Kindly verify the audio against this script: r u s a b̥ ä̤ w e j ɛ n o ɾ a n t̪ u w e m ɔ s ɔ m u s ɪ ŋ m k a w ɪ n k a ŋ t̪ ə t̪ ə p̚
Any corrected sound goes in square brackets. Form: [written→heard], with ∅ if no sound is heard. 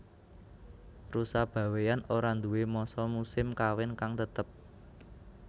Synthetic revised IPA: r u s a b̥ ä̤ w e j [ɛ→a] n o ɾ a n [t̪→d̪] u w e m ɔ s ɔ m u s ɪ [ŋ→∅] m k a w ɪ n k a ŋ t̪ ə t̪ ə p̚